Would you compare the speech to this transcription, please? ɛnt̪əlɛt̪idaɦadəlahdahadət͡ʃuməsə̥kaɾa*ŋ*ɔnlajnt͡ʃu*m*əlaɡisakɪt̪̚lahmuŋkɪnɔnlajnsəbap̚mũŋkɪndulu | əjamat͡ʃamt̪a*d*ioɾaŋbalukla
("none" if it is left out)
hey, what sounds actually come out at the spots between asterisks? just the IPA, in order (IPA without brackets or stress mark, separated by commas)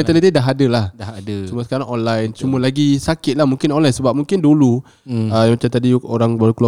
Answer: ŋ, m, d